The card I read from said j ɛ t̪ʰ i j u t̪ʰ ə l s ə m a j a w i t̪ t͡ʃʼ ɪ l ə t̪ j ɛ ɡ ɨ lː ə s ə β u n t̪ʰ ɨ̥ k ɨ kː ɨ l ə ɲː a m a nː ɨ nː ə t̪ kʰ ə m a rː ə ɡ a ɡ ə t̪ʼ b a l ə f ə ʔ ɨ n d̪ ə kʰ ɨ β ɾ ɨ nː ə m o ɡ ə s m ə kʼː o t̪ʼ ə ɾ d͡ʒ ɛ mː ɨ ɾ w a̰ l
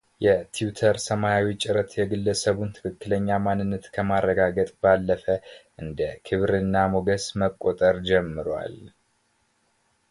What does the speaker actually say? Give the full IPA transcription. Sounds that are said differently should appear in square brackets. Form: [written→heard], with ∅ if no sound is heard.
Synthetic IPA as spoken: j ɛ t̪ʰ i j u t̪ʰ ə [l→ɾ] s ə m a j a w i [t̪→∅] t͡ʃʼ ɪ [l→ɾ] ə t̪ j ɛ ɡ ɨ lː ə s ə β u n t̪ʰ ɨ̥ k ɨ kː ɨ l ə ɲː a m a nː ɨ nː ə t̪ kʰ ə m a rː ə ɡ a ɡ ə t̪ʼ b a [l→lː] ə f ə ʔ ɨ n d̪ ə kʰ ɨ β ɾ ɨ nː [ə→a] m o ɡ ə s m ə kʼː o t̪ʼ ə ɾ d͡ʒ ɛ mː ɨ ɾ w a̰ l